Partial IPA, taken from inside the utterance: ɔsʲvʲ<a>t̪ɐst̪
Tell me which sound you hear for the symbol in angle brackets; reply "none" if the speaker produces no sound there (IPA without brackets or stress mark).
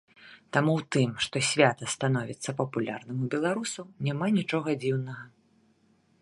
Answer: a